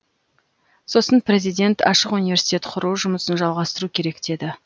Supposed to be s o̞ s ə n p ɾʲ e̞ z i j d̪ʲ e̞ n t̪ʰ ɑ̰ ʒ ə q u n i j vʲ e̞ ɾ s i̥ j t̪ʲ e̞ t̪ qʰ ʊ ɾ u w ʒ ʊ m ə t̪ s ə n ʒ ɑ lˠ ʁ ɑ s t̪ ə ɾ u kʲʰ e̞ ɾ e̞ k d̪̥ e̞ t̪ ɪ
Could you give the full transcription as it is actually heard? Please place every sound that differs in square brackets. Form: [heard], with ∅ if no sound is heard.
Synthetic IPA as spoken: s o̞ s ə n p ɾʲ e̞ z i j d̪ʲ e̞ n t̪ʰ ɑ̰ [ʃ] ə q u n i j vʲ e̞ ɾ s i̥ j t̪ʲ e̞ t̪ qʰ ʊ ɾ u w ʒ ʊ m ə [∅] s ə n ʒ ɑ lˠ ʁ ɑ s t̪ ə ɾ u kʲʰ e̞ ɾ e̞ k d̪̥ e̞ [d̪] ɪ